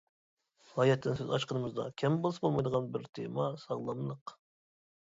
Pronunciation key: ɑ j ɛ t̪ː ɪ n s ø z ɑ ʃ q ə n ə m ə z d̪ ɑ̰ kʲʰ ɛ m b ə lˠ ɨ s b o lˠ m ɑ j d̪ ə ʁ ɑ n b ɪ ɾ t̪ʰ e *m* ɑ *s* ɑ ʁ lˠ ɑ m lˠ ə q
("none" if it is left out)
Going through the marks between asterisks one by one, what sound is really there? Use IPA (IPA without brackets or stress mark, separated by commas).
m, s